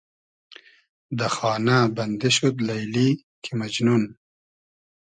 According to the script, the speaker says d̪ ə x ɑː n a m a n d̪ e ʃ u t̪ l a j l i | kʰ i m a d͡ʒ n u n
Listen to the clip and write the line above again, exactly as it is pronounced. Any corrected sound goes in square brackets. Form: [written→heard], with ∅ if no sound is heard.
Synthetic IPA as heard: d̪ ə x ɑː n a [m→b] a n d̪ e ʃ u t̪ l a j l i | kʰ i m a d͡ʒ n u n